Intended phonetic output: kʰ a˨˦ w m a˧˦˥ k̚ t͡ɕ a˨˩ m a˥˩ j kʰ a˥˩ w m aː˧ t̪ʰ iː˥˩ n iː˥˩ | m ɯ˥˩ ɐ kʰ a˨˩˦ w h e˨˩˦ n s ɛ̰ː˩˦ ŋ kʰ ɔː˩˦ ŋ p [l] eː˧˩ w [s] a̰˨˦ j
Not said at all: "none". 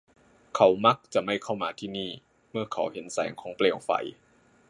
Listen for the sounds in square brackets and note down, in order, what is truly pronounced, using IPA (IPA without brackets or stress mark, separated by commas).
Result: l, f